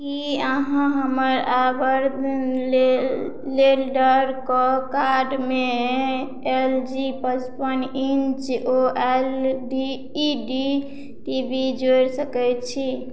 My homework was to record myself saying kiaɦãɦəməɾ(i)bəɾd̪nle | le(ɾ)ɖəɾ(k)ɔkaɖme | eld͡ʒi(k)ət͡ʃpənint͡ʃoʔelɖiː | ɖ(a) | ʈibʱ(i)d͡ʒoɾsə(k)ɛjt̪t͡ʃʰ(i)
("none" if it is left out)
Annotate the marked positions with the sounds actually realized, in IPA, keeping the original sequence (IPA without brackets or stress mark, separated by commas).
a, l, k, p, i, i, k, i